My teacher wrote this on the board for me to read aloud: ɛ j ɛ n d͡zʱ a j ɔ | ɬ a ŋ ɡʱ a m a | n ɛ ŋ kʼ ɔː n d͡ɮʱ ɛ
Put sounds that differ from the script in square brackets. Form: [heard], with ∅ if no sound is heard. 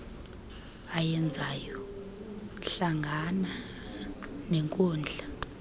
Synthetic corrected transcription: [a] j ɛ n d͡zʱ a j ɔ | ɬ a ŋ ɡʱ a [n] a | n ɛ ŋ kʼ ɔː n d͡ɮʱ [a]

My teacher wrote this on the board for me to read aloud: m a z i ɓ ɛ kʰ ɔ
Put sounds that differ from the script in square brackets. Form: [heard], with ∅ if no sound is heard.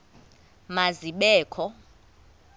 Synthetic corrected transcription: m a z i ɓ [ɛː] kʰ ɔ

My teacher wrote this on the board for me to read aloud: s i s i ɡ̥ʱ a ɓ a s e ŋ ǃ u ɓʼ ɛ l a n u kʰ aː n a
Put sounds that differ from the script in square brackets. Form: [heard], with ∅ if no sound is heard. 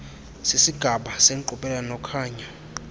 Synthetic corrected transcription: s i s i ɡ̥ʱ a ɓ a s e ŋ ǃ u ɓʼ ɛ l a n [ɔ] kʰ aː [ɲ] a

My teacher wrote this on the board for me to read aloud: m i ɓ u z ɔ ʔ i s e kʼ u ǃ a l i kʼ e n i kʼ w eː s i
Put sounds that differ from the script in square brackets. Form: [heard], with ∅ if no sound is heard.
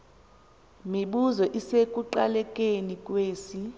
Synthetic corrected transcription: m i ɓ u z ɔ ʔ i s e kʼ u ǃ a l [ɛ] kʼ e n i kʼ w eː s i

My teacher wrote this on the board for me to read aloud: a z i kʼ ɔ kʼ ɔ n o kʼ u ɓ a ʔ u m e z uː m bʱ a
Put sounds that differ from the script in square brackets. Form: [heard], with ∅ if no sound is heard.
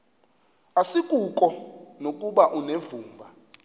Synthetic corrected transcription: a [s] i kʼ [u] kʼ ɔ n o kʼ u ɓ a ʔ u [n] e [v] uː m bʱ a

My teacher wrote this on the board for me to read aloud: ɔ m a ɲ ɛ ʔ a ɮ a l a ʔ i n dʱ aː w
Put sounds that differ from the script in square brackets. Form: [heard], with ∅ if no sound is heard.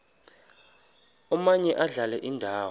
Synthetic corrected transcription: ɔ m a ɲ ɛ ʔ a ɮ a l [ɛ] ʔ i n dʱ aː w

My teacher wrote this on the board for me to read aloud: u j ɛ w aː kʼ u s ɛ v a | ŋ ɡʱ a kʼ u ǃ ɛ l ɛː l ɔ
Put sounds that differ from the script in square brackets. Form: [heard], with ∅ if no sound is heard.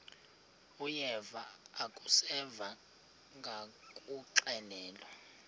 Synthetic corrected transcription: u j ɛ [v] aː kʼ u s ɛ v a | ŋ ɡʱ a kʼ u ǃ ɛ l ɛː l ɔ

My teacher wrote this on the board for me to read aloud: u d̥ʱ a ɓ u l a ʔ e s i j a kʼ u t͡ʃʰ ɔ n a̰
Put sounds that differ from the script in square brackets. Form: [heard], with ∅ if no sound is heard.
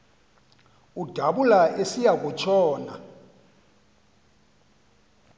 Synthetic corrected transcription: u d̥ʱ a ɓ u l a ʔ e s i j a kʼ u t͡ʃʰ [ɔː] n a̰

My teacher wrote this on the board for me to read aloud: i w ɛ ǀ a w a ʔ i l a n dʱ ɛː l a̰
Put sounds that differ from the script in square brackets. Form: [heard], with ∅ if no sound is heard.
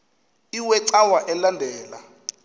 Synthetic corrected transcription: i w ɛ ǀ a w a ʔ [ɛ] l a n dʱ ɛː l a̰

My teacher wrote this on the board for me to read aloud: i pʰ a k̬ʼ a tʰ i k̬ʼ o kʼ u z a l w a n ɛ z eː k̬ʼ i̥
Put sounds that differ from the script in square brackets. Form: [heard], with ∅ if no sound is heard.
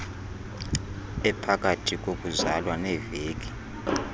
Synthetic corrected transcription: [ɛ] pʰ a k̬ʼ a tʰ i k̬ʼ o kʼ u z a l w a n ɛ [v] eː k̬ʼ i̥

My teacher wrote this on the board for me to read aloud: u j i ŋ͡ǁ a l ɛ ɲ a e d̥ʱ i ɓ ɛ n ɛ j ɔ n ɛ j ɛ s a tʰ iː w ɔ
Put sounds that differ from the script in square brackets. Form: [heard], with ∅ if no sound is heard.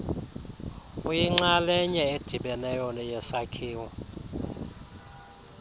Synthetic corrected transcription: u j i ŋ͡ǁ a l ɛ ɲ [ɛ] e d̥ʱ i ɓ ɛ n ɛ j ɔ n ɛ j ɛ s a [kʰ] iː w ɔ

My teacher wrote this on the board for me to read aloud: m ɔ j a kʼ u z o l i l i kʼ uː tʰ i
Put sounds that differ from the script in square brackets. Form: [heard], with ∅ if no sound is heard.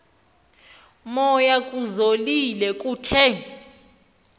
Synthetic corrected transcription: m ɔ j a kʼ u z o l i l [ɛ] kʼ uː tʰ [ɛ]

